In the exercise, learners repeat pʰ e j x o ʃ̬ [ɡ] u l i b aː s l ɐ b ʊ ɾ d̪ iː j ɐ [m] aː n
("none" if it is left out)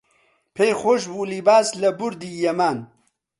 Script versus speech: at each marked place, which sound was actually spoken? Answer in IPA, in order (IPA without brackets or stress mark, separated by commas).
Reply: b, m